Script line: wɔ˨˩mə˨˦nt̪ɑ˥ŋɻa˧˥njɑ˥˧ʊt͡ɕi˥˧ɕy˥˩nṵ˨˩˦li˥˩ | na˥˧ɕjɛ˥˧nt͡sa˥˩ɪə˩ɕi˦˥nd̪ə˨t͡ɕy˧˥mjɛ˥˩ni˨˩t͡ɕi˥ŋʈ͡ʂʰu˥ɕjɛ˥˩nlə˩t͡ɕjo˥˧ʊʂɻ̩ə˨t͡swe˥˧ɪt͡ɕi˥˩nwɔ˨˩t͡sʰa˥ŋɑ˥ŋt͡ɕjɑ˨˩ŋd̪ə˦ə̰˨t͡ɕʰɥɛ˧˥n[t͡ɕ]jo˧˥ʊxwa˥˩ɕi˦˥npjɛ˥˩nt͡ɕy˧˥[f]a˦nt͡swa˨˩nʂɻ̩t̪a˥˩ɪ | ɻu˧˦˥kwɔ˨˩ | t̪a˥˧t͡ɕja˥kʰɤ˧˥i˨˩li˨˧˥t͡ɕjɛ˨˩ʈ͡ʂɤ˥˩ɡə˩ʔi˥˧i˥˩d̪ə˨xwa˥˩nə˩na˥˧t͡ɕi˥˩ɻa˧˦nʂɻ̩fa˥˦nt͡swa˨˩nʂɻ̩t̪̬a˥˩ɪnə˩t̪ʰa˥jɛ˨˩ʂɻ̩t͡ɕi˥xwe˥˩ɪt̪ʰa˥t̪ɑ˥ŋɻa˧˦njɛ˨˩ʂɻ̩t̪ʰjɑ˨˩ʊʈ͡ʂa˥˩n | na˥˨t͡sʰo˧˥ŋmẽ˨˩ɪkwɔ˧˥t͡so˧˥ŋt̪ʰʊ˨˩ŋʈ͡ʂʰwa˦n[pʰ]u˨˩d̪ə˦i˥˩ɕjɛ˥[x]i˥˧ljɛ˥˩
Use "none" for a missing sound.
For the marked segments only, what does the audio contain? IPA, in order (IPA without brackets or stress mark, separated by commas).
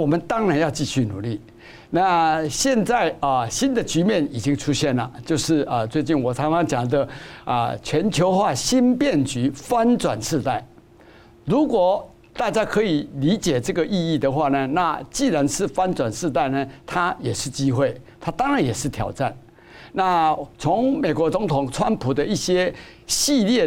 t͡ɕʰ, f, pʰ, ɕ